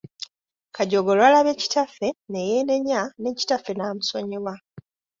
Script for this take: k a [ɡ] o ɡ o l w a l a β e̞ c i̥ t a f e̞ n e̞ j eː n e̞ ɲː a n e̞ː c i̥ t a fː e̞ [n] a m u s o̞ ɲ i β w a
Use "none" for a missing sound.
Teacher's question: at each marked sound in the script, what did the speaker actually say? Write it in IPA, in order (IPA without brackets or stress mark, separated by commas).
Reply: ɟ, n